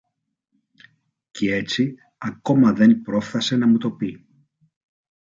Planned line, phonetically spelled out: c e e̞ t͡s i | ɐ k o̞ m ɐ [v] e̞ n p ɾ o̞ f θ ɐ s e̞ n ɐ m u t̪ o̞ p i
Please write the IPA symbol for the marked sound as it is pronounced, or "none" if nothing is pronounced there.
ð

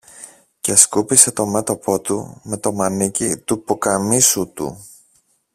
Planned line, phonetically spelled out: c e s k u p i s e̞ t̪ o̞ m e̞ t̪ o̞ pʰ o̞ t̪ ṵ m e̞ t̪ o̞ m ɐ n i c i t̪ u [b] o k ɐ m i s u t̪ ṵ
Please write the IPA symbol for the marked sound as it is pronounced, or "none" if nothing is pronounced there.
p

